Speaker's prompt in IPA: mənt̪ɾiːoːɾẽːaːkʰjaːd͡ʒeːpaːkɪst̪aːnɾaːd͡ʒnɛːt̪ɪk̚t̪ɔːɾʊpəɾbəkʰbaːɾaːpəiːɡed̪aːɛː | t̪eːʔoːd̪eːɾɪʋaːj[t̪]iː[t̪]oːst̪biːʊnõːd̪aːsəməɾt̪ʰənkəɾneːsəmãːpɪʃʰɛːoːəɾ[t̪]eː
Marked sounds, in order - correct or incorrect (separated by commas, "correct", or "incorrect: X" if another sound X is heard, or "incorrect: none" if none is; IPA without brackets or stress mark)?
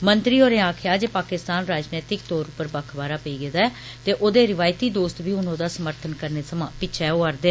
correct, incorrect: d̪, incorrect: d̪